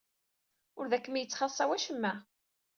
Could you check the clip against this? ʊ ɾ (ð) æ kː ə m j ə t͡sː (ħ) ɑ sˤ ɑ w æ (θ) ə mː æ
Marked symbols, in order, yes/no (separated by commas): yes, no, no